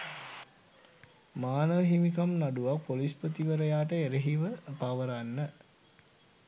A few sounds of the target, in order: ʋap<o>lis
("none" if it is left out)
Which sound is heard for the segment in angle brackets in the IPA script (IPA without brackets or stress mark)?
o